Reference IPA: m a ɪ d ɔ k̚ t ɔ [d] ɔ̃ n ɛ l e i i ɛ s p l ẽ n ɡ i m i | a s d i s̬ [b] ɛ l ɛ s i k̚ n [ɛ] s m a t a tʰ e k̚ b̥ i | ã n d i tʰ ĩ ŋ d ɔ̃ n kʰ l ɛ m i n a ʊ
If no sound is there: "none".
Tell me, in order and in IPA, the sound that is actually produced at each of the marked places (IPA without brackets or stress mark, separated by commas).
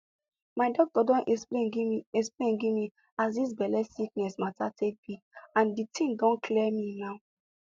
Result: d, b, ɛ